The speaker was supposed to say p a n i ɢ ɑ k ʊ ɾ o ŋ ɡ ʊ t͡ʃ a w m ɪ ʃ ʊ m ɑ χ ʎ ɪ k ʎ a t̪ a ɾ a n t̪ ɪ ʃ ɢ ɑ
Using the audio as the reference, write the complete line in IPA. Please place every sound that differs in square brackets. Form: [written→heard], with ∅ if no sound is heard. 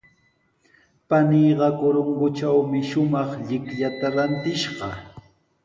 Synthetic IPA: p a n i ɢ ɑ k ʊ ɾ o ŋ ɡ ʊ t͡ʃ a w m ɪ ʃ ʊ m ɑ χ ʎ ɪ k ʎ a t̪ a ɾ a n t̪ ɪ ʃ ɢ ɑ